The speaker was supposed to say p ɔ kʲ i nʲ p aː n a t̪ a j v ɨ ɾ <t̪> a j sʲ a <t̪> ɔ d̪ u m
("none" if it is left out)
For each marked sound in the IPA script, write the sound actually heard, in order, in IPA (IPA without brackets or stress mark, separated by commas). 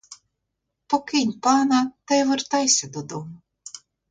t̪, d̪